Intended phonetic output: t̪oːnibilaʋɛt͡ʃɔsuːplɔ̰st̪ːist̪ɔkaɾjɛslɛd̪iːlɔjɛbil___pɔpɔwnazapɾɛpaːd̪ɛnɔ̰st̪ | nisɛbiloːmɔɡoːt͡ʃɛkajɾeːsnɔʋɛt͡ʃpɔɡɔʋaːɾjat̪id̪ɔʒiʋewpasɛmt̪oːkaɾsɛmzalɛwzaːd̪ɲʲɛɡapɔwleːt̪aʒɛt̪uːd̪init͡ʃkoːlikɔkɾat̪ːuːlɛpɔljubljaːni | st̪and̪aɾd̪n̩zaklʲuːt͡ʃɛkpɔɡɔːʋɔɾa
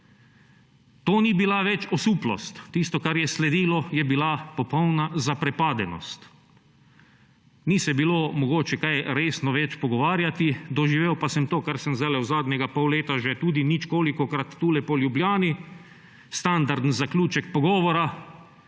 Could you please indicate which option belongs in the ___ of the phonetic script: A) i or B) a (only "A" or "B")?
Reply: B